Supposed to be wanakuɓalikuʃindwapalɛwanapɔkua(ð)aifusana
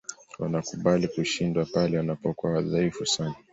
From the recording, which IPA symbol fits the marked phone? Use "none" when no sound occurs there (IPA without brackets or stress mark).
ð